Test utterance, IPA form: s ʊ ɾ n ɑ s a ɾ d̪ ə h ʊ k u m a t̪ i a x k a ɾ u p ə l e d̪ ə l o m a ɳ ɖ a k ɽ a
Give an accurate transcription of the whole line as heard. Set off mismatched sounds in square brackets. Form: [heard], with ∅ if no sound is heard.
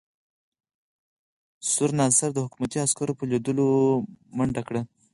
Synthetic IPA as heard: s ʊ ɾ n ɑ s a ɾ d̪ ə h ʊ k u m a t̪ i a [s] k a ɾ [o] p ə l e d̪ ə l o m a ɳ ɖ a k ɽ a

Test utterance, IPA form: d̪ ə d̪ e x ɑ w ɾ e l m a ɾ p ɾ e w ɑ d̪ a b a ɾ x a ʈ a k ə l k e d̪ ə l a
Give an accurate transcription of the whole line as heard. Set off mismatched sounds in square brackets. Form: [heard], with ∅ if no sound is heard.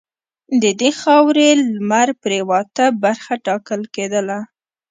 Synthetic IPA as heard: d̪ ə d̪ e x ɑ w ɾ e l m a ɾ p ɾ e w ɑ [t̪] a b a ɾ x a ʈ [ɑ] k ə l k e d̪ ə l a

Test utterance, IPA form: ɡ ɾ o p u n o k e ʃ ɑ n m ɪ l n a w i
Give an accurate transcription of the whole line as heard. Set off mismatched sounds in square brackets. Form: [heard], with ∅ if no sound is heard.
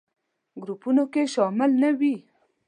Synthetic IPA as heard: ɡ ɾ [u] p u n o k e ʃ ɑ [∅] m ɪ l n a w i

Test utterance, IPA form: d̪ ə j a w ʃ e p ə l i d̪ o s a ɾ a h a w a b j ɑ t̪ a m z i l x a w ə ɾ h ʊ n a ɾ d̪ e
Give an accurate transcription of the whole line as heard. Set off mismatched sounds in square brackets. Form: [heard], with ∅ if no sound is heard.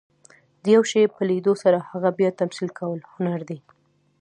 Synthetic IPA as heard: d̪ ə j a w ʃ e p ə l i d̪ o s a ɾ a h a [ɣ] a b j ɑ t̪ a m [s] i l [k] a w ə [l] h ʊ n a ɾ d̪ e

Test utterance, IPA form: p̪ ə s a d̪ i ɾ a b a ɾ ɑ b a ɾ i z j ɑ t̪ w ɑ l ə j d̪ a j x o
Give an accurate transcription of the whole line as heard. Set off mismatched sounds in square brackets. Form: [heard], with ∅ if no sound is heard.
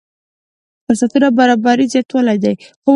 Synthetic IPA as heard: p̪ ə s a [t̪] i ɾ a b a ɾ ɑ b a ɾ i z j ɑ t̪ w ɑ l [a] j d̪ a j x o

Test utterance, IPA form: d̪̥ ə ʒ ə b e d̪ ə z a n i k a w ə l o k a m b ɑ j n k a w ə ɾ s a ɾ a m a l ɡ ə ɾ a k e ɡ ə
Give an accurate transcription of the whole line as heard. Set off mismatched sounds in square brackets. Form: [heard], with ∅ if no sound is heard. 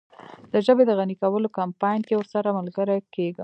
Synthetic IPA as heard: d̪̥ ə ʒ ə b e d̪ ə [ɣ] a n i k a w ə l o k a m [p] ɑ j n k [e] w ə ɾ s a ɾ a m a l ɡ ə ɾ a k e ɡ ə

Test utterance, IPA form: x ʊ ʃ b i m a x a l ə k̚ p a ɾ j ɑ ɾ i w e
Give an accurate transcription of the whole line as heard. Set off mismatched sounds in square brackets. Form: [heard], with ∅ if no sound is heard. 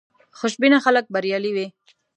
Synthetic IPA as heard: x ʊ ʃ b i [n] a x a l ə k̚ [b] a ɾ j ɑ [l] i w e

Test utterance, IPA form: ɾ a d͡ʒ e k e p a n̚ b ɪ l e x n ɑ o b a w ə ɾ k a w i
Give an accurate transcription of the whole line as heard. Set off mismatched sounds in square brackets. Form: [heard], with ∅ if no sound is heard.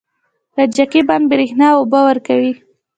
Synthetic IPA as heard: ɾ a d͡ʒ [a] k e [b] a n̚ b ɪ [ɾ] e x n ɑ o b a w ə ɾ k a w i

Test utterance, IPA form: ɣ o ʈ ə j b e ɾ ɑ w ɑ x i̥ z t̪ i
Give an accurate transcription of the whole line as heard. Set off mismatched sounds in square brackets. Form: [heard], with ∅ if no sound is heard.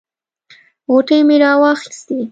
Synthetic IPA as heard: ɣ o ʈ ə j [m] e ɾ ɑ w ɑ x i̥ [s] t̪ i

